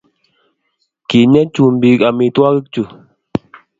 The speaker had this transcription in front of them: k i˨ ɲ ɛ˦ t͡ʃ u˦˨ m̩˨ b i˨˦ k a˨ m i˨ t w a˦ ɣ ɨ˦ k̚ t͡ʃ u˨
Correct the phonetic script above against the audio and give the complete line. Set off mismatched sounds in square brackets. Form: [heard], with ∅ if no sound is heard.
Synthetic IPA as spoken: k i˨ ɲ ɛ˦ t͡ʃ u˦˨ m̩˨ b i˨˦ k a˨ m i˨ t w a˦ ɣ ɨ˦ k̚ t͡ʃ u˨